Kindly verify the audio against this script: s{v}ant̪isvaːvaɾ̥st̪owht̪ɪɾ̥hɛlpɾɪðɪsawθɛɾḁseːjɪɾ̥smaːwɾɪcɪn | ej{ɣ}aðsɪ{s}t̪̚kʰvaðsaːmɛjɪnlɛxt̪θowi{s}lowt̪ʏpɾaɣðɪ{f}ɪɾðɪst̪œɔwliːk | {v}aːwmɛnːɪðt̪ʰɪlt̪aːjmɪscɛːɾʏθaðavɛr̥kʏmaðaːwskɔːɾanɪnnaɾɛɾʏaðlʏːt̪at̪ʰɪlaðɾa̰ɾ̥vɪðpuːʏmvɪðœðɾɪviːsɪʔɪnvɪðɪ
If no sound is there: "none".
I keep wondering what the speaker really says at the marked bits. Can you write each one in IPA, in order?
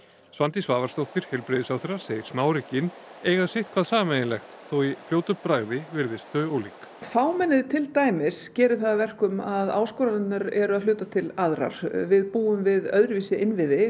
v, ɣ, h, f, v, f

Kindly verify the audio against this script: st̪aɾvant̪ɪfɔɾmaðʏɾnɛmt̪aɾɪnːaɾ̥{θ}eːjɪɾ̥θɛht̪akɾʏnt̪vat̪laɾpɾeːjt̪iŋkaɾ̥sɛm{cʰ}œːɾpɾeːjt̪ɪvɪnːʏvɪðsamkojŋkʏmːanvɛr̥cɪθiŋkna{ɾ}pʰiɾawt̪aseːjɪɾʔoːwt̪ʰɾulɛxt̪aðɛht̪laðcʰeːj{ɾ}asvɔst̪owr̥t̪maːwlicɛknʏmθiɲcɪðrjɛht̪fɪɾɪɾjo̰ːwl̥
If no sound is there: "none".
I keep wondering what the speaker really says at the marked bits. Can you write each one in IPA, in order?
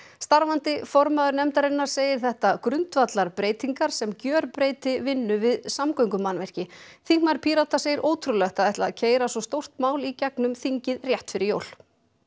s, c, ɾ, ɾ

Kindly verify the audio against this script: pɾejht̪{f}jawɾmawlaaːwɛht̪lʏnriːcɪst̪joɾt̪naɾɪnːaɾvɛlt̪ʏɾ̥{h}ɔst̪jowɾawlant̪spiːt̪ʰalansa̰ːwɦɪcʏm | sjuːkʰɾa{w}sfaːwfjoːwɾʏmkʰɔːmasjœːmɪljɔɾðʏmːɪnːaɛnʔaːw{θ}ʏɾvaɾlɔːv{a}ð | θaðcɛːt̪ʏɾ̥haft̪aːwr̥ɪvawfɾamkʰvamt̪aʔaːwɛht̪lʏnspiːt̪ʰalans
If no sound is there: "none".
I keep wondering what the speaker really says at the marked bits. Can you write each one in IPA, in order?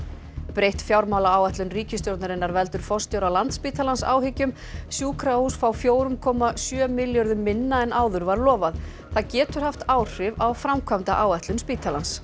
f, f, u, ð, a

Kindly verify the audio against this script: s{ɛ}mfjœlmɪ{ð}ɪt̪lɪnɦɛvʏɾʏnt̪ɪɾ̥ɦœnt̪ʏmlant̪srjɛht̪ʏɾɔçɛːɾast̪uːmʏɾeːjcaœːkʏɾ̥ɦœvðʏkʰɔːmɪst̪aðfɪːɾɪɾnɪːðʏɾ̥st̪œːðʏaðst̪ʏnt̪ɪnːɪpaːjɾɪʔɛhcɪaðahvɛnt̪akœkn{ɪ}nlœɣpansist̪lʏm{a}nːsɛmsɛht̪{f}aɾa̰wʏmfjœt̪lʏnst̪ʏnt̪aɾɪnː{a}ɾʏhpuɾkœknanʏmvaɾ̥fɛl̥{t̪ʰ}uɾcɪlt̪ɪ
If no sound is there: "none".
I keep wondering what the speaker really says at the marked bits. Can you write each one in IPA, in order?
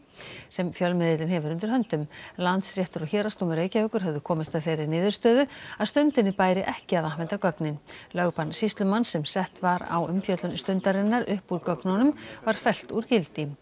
ɛ, ð, ɪ, a, v, a, t̪

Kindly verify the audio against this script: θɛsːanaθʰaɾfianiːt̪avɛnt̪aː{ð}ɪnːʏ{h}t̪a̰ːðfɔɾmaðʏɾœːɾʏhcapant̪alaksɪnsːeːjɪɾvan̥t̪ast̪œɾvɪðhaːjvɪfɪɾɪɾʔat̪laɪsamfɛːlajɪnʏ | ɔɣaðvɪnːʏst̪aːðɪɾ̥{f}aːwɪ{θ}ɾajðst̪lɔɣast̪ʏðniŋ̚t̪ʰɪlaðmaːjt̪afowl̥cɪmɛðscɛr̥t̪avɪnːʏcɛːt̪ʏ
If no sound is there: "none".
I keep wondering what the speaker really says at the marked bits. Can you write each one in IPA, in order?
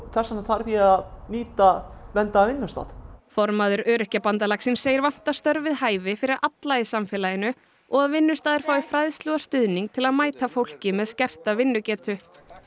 v, s, f, f

